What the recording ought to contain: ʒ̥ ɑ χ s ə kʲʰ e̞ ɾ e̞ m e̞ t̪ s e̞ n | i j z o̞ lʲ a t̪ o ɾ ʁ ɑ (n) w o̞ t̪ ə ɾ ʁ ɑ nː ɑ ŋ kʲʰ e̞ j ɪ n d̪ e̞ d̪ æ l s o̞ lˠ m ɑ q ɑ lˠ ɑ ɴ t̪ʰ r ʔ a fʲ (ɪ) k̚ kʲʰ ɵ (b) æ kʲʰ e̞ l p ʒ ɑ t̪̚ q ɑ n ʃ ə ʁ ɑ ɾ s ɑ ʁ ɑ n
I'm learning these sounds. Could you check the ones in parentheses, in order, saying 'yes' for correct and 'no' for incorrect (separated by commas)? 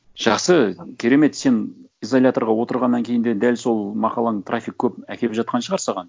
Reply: no, no, no